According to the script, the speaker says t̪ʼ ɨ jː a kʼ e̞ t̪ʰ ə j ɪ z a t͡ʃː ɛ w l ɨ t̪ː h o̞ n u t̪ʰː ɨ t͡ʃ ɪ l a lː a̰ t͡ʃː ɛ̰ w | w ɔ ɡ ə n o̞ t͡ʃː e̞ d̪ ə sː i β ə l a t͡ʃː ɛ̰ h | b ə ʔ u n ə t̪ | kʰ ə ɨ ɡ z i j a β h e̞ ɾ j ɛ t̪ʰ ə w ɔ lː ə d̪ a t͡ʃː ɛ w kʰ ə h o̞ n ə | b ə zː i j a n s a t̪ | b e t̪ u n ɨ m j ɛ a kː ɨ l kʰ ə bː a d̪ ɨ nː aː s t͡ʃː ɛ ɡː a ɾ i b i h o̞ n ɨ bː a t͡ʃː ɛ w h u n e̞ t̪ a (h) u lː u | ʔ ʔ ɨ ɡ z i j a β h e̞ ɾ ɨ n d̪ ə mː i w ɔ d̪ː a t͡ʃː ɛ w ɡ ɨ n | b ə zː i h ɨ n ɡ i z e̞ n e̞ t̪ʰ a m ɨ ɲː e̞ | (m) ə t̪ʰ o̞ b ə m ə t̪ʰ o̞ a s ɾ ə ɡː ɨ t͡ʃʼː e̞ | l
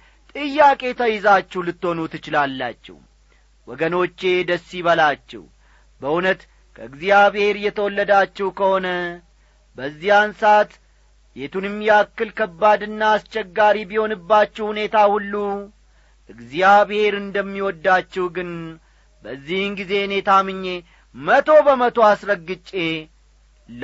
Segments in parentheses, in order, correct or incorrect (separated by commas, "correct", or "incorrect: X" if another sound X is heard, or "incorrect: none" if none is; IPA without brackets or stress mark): correct, correct